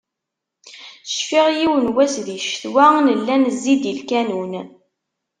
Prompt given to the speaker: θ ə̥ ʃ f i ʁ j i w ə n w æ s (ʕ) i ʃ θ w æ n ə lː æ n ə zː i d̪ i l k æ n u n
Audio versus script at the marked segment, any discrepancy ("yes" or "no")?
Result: yes